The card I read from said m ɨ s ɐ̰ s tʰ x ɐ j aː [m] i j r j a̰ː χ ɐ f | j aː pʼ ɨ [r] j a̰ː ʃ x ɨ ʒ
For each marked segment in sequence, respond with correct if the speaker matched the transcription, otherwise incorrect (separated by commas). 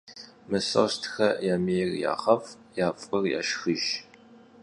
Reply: correct, correct